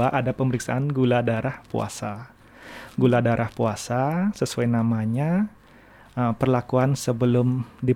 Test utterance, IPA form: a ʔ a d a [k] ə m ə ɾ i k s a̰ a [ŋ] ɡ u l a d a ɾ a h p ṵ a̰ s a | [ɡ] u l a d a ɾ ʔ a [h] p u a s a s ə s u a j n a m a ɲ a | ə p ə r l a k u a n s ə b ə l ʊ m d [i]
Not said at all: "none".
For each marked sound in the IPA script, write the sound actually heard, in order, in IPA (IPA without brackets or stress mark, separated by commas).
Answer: p, n, ɡ, h, i